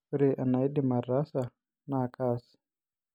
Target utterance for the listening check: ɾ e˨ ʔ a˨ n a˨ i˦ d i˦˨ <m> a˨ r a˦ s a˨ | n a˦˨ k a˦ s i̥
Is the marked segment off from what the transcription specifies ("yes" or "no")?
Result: no